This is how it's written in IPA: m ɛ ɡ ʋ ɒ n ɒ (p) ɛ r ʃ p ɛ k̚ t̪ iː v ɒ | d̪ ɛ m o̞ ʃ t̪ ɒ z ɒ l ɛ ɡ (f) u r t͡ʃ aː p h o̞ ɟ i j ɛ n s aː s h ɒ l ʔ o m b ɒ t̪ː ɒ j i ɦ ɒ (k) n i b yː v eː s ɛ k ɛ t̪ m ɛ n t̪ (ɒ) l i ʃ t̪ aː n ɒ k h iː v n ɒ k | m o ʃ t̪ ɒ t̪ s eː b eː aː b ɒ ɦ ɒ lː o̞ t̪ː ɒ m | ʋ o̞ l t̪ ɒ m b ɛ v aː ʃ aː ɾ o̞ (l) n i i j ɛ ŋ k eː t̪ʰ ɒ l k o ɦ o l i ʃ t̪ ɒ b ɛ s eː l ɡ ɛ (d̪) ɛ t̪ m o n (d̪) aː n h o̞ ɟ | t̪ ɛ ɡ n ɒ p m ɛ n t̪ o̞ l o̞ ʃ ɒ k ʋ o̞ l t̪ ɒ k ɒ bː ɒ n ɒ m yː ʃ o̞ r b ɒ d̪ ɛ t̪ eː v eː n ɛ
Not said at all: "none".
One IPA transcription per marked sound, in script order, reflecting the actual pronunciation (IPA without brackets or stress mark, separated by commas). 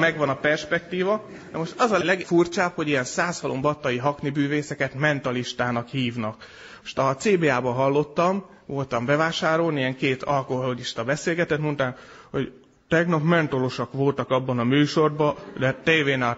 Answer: p, f, k, ɒ, l, t̪, t̪